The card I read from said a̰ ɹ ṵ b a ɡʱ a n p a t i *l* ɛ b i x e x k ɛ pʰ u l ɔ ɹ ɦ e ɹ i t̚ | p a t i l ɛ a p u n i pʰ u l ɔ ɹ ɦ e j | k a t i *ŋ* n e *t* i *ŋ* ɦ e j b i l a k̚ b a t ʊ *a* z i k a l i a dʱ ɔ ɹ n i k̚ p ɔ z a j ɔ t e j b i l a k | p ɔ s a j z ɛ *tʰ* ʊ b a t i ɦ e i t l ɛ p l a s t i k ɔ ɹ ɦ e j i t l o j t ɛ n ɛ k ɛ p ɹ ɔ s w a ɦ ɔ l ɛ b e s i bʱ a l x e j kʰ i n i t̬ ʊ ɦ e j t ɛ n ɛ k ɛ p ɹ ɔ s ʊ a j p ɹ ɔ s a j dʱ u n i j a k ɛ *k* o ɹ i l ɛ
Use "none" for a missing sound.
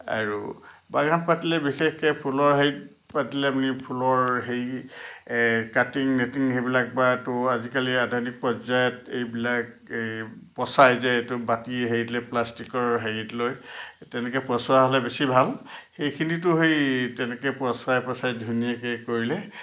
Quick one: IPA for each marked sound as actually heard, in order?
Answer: l, ŋ, t, ŋ, a, t, k

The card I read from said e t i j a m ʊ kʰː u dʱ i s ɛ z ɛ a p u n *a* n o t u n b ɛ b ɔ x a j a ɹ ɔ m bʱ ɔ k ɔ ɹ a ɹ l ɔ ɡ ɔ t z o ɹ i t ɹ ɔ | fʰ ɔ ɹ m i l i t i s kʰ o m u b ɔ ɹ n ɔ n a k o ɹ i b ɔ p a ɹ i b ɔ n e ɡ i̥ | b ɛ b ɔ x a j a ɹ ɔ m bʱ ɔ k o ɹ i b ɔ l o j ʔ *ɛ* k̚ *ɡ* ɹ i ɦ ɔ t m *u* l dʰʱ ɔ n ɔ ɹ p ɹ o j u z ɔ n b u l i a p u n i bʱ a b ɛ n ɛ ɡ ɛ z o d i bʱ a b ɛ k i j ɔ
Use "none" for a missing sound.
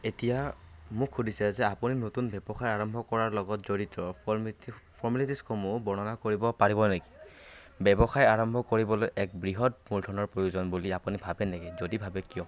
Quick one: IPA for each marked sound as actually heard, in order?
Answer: i, ɛ, b, u

